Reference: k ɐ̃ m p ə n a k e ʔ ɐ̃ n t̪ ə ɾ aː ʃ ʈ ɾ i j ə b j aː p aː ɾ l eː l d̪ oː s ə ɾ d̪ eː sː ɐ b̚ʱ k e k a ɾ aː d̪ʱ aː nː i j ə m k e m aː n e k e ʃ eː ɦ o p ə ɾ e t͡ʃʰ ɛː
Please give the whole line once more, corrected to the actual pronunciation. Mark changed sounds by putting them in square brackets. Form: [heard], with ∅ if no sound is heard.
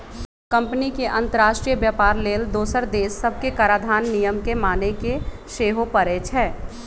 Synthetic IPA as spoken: k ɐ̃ m p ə n [i] k e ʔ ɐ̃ n t̪ ə ɾ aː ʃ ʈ ɾ i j ə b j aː p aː ɾ l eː l d̪ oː s ə ɾ d̪ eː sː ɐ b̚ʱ k e k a ɾ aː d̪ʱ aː nː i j ə m k e m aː n e k e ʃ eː ɦ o p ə ɾ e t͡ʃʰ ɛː

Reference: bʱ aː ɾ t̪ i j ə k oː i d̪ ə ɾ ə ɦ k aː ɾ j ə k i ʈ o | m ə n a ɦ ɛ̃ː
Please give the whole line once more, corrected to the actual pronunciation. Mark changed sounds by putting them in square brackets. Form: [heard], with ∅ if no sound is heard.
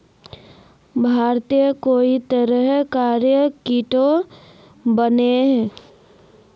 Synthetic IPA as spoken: bʱ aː ɾ t̪ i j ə k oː i [t̪] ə ɾ ə ɦ k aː ɾ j ə k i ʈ o | [b] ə n [e] ɦ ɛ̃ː

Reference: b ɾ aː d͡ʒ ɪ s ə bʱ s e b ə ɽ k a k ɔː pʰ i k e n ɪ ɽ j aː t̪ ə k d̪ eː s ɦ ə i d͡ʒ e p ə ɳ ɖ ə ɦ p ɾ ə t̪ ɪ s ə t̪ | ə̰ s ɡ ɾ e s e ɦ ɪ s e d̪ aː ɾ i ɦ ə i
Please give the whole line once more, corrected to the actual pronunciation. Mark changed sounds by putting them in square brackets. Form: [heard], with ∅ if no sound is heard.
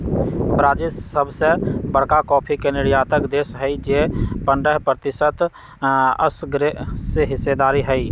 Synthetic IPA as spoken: b ɾ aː d͡ʒ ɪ s ə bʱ s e b ə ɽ k a k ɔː pʰ i k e n ɪ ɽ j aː t̪ ə k d̪ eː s ɦ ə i d͡ʒ e p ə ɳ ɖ ə ɦ p ɾ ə t̪ ɪ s ə t̪ | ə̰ s ɡ ɾ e s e ɦ ɪ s e d̪ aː ɾ i ɦ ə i

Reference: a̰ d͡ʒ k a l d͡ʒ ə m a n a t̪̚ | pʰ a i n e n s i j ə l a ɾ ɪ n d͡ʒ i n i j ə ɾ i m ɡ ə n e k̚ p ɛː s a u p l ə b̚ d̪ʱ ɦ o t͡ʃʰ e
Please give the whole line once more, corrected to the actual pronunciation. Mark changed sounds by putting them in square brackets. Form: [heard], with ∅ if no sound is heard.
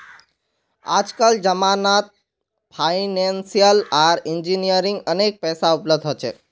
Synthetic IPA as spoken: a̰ d͡ʒ k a l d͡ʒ ə m a n a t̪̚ | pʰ a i n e n s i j ə l a ɾ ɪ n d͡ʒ i n i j ə ɾ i [ŋ] ɡ ə n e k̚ p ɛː s a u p l ə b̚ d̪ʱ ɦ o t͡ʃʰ e

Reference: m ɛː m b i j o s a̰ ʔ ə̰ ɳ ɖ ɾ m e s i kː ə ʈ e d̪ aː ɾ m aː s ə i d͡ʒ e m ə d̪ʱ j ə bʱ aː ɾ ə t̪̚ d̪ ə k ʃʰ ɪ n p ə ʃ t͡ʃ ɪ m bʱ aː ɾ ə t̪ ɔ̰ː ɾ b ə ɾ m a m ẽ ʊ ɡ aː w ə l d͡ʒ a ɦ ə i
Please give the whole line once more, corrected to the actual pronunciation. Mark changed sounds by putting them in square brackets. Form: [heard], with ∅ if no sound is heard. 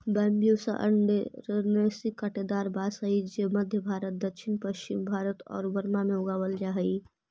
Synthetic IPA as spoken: [b] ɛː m b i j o s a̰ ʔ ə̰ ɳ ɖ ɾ [n] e s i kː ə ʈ e d̪ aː ɾ [b] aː s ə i d͡ʒ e m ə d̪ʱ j ə bʱ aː ɾ ə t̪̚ d̪ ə k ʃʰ ɪ n p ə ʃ t͡ʃ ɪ m bʱ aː ɾ ə t̪ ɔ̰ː ɾ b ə ɾ m a m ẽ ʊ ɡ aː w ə l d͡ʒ a ɦ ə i

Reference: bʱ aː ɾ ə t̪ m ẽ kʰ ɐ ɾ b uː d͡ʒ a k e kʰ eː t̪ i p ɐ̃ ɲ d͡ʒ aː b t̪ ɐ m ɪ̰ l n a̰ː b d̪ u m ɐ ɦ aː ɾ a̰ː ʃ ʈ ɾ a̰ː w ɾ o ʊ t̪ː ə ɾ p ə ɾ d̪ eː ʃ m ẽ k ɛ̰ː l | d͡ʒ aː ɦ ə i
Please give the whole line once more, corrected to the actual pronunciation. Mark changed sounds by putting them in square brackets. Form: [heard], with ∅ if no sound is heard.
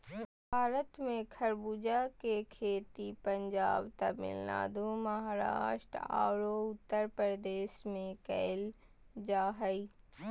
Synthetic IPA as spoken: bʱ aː ɾ ə t̪ m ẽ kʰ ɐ ɾ b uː d͡ʒ a k e kʰ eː t̪ i p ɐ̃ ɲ d͡ʒ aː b t̪ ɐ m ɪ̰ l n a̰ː [∅] d̪ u m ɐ ɦ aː ɾ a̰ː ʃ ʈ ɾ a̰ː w ɾ o ʊ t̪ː ə ɾ p ə ɾ d̪ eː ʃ m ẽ k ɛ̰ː l | d͡ʒ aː ɦ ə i

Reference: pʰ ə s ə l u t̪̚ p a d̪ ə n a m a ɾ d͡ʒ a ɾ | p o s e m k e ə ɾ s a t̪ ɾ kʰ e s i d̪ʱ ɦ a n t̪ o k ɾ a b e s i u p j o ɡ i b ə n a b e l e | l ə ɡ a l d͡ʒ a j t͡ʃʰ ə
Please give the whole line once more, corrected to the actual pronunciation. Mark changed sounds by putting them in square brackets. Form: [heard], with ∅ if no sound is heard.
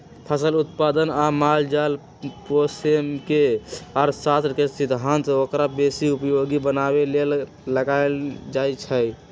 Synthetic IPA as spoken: pʰ ə s ə l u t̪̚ p a d̪ ə n a m a [l] d͡ʒ a [l] | p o s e m k e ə ɾ s a t̪ ɾ [k] e s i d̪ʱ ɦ a n t̪ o k ɾ a b e s i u p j o ɡ i b ə n a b e l e | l ə ɡ a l d͡ʒ a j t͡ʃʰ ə

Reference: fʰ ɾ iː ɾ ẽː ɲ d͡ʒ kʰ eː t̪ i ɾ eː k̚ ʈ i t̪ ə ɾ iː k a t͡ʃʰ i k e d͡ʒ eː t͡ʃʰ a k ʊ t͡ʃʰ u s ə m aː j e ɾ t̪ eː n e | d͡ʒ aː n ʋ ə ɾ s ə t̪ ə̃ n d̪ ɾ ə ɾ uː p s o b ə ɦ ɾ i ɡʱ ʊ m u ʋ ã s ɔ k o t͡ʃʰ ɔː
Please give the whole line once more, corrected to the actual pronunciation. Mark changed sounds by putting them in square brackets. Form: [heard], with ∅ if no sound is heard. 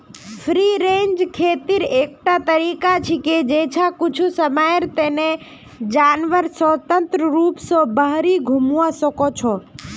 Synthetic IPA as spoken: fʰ ɾ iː ɾ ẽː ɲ d͡ʒ kʰ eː t̪ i ɾ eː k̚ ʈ [a] t̪ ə ɾ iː k a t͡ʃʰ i k e d͡ʒ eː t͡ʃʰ a k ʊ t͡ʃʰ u s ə m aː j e ɾ t̪ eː n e | d͡ʒ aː n ʋ ə ɾ s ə t̪ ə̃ n [t̪] ɾ ə ɾ uː p s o b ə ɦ ɾ i ɡʱ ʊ m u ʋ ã s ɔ k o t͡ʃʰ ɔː

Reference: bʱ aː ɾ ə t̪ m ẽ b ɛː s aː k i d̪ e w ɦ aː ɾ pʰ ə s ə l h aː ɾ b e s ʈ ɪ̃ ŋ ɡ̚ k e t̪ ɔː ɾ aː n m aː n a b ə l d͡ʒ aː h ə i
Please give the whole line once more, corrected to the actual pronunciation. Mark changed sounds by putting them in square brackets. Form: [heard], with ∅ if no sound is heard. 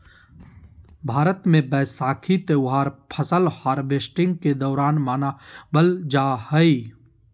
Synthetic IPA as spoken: bʱ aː ɾ ə t̪ m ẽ b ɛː s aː [kʰ] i [t̪] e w ɦ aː ɾ pʰ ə s ə l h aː ɾ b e s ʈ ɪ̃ ŋ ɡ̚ k e [d̪] ɔː ɾ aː n m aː n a b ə l d͡ʒ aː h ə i

